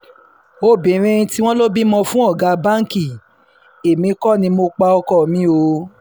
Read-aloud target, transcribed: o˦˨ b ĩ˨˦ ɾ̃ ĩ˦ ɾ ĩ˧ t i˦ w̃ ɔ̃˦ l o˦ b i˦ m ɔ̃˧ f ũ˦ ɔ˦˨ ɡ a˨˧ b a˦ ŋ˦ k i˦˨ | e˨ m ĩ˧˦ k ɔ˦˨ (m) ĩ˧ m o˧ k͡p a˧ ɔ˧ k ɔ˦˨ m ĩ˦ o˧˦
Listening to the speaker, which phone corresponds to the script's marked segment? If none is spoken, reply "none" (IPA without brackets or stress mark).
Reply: n